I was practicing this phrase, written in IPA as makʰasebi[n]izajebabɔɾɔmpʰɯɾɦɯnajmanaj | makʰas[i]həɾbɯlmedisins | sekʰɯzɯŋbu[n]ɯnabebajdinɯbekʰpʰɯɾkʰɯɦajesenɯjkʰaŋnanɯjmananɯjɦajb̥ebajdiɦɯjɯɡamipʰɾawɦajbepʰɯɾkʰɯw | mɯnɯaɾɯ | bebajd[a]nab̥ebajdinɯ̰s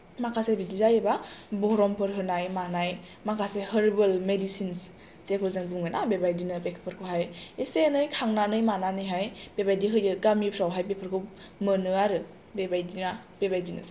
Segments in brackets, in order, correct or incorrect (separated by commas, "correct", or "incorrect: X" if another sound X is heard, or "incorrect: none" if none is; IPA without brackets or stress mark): incorrect: d, incorrect: e, incorrect: ŋ, incorrect: i